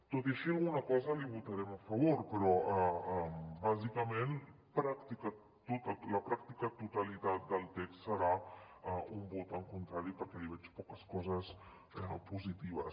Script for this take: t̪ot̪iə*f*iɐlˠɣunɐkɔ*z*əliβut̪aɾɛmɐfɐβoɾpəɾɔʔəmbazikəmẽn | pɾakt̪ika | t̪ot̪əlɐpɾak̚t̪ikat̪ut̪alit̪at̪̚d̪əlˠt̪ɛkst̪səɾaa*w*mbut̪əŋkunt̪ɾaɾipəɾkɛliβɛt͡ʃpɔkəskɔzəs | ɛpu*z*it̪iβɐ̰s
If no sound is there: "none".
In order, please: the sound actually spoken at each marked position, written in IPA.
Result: ʃ, z, u, z

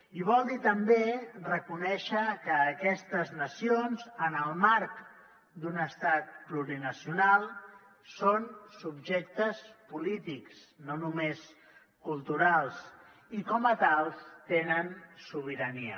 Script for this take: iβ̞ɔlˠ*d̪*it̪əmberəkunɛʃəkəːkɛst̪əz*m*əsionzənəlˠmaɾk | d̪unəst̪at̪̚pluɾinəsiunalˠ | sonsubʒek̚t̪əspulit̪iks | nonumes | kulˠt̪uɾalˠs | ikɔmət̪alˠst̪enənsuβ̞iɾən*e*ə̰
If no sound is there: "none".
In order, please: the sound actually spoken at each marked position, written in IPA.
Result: d̪, n, i

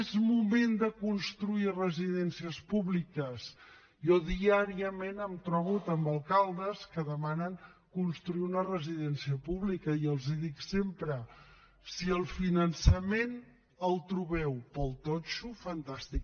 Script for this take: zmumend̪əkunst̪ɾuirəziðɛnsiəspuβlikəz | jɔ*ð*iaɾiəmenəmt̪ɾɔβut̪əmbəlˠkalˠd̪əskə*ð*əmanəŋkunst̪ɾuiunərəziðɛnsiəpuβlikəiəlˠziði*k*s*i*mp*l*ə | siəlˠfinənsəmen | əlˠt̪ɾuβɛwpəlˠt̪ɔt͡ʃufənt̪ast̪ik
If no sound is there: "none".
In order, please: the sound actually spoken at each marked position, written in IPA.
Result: ð, ð, k, e, ɾ

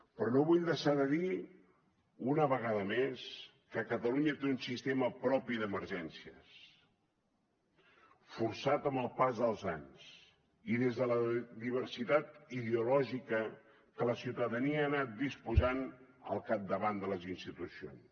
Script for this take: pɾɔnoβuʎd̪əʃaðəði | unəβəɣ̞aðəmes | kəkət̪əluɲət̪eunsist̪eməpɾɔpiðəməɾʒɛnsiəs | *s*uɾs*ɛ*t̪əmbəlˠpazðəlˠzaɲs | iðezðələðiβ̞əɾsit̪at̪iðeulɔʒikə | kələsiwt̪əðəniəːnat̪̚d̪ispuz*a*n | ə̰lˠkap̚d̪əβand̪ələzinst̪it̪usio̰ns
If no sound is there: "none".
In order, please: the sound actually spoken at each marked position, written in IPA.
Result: f, a, a

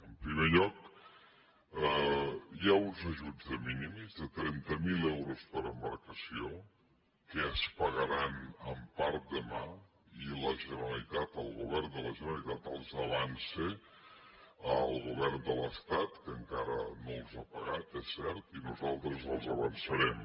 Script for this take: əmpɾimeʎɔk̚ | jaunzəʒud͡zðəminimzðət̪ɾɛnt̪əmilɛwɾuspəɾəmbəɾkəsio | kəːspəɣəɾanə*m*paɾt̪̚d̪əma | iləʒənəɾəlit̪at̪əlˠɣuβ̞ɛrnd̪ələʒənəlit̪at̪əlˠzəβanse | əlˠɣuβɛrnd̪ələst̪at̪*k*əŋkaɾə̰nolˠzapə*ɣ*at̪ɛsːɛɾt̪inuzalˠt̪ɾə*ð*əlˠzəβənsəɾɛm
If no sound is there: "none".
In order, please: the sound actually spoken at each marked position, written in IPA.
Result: m, k, ɣ, z

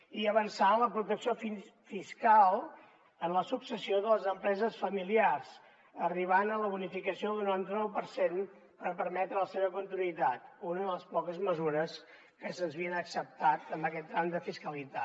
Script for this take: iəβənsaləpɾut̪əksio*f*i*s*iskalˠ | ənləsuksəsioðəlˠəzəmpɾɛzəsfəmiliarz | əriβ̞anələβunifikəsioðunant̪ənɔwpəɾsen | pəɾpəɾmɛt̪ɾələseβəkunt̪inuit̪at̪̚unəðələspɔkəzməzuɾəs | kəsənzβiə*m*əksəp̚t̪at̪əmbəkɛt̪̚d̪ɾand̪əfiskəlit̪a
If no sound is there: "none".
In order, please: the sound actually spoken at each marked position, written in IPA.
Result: f, f, n

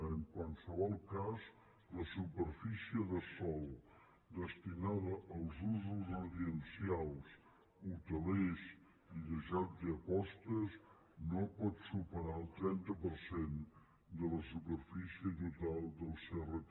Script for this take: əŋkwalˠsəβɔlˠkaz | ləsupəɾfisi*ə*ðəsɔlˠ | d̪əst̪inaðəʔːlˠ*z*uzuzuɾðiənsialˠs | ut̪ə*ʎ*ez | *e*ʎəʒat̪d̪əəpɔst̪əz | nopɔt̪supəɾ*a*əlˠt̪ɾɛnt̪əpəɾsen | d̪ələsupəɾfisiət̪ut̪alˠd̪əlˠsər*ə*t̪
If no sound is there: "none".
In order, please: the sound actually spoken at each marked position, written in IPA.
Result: ə, z, l, i, a, ə

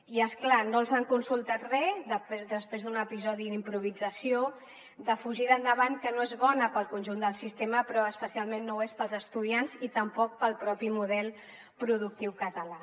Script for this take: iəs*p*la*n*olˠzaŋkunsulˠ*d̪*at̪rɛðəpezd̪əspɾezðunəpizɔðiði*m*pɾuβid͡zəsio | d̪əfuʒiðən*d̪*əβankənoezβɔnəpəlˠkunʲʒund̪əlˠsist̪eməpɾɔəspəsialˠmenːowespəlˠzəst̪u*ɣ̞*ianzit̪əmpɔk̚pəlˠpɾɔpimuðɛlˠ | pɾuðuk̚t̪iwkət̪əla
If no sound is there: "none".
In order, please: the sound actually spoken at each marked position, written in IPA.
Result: k, n, t̪, m, d̪, ð̞

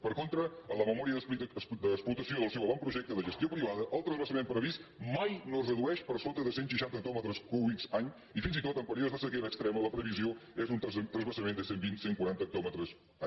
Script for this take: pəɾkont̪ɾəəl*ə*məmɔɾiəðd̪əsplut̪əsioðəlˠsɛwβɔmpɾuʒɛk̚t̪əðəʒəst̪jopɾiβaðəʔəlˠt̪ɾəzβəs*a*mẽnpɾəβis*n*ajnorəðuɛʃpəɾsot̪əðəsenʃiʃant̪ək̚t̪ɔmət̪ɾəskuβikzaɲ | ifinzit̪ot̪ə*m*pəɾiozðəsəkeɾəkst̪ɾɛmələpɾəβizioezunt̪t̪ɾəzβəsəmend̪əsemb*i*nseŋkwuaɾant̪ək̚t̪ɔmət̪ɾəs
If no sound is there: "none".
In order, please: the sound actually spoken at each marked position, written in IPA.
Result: ə, ə, m, m, i

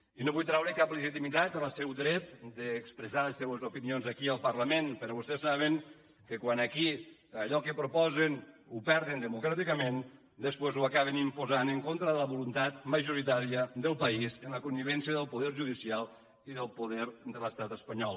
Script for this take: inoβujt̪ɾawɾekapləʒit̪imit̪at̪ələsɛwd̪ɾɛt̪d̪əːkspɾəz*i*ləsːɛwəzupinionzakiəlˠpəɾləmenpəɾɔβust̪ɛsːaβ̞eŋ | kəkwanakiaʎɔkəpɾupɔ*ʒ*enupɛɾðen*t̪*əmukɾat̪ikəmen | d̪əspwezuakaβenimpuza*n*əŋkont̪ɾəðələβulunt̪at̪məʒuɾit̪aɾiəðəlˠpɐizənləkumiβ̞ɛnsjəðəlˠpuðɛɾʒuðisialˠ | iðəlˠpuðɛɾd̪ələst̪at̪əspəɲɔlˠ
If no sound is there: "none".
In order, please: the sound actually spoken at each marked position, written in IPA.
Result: a, z, d̪, n

